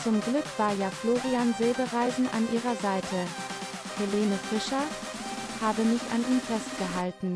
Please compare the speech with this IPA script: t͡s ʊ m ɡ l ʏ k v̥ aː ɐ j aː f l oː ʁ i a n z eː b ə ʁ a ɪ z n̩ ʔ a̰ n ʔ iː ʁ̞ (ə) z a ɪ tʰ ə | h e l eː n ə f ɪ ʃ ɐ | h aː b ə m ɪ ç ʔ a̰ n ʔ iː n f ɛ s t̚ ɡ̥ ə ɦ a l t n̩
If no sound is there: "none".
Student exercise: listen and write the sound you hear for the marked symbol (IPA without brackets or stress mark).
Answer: ɐ